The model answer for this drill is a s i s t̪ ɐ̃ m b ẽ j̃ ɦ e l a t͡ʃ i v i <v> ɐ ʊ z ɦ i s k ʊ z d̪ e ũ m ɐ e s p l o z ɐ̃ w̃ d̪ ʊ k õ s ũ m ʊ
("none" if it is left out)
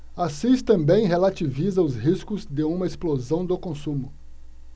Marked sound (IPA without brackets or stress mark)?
z